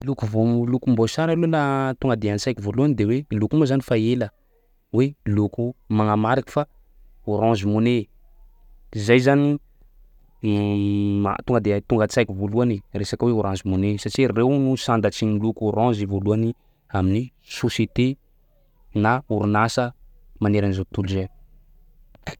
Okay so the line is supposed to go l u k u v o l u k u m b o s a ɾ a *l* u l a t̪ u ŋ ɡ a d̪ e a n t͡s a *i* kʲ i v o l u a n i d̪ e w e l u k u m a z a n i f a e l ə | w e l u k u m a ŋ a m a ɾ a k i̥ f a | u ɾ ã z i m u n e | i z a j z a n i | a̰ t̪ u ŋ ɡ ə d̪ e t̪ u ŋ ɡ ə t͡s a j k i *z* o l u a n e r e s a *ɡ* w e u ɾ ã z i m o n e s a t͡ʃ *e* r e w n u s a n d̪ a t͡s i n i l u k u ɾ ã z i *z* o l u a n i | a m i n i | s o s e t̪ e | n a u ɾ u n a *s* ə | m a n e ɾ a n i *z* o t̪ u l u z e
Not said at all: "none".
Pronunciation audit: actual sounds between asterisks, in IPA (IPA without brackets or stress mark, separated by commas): l, j, v, k, i, v, s, z